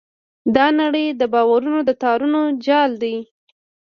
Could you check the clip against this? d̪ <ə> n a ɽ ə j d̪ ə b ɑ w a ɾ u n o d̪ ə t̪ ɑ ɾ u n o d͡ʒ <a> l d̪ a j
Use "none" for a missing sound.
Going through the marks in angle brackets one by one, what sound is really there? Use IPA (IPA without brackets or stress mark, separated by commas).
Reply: ɑ, ɑ